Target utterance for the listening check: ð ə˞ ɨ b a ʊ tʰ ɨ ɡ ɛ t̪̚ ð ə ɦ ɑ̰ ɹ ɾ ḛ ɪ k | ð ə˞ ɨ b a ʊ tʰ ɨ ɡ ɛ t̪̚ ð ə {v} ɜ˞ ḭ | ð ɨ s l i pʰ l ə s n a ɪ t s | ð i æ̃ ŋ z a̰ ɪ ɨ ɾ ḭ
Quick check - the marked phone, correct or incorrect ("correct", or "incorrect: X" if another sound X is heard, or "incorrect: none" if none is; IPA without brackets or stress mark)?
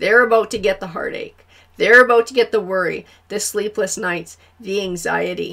incorrect: w